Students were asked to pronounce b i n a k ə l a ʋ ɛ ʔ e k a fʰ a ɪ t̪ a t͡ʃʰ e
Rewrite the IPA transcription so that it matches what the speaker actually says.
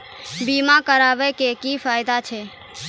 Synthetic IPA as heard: b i m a k ə ɾ a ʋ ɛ k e k i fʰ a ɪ d̪ a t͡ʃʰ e